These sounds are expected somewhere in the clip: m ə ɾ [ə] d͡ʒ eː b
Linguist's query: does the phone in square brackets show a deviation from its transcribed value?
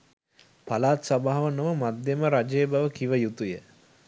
yes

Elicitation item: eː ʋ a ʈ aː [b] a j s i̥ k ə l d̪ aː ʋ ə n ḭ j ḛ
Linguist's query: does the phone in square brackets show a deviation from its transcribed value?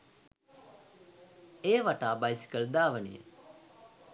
no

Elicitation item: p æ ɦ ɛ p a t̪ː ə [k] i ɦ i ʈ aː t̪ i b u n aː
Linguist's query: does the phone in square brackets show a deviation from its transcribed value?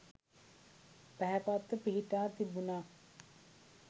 yes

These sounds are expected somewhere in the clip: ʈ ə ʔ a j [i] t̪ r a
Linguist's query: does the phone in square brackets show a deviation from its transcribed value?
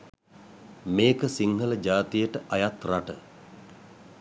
yes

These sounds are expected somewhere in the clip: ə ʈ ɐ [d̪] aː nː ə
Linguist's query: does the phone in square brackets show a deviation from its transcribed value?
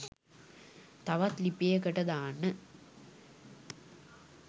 no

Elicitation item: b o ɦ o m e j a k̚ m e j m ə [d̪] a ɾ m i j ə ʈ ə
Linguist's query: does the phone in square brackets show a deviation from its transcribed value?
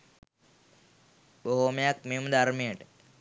no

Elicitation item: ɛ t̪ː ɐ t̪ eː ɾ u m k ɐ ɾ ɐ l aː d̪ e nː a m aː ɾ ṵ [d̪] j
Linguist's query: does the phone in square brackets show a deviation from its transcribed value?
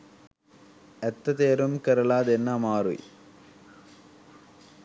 yes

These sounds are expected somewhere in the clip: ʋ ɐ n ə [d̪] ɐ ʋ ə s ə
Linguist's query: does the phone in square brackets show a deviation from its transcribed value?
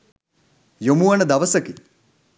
no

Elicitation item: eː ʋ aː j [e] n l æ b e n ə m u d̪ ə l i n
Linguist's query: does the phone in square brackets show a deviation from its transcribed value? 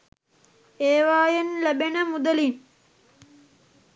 no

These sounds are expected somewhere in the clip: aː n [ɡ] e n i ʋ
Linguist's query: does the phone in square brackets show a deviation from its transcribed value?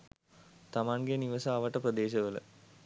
no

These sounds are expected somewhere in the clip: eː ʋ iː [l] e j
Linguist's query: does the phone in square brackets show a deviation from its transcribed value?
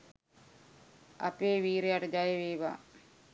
yes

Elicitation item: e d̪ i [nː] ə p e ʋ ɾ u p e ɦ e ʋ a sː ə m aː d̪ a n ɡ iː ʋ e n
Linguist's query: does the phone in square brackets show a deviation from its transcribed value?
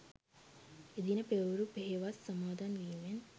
yes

